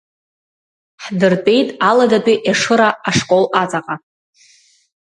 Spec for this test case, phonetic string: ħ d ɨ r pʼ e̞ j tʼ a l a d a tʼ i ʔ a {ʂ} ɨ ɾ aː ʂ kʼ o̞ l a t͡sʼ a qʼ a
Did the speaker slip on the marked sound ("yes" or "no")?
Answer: no